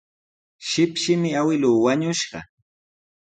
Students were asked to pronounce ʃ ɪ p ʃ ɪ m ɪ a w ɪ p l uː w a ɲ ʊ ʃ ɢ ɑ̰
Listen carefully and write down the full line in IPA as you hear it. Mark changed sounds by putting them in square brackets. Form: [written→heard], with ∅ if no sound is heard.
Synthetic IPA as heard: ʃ ɪ p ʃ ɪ m ɪ a w ɪ [p→∅] l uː w a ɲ ʊ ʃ ɢ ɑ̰